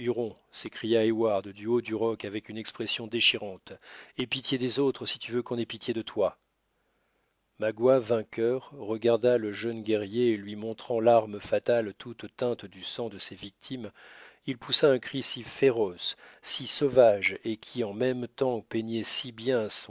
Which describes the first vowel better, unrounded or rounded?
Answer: rounded